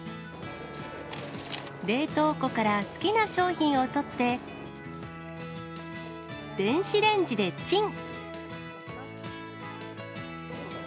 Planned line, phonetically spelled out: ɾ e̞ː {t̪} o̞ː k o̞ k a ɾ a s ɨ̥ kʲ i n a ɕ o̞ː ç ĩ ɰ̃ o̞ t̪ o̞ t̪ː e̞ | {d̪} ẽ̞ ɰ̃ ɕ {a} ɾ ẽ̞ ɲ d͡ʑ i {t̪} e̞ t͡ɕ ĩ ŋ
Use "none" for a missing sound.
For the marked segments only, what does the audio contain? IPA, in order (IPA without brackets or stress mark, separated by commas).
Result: t̪, d̪, i, d̪